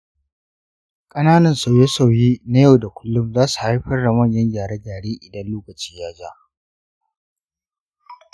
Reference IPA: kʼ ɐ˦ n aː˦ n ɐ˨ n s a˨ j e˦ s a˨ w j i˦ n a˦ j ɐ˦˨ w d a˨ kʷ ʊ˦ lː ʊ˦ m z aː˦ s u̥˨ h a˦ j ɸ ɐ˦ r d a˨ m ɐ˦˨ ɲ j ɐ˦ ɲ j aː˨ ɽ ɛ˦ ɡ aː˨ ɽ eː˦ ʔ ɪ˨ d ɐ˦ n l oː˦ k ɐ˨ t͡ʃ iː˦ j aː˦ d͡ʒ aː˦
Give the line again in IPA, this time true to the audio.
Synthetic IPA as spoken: kʼ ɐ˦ n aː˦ n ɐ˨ n s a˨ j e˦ s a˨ w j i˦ n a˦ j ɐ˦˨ w d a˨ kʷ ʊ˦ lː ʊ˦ m z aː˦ s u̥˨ h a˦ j ɸ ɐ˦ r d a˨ m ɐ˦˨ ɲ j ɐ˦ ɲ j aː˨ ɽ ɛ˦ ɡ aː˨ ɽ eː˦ ʔ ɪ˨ d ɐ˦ n l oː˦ k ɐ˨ t͡ʃ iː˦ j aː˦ d͡ʒ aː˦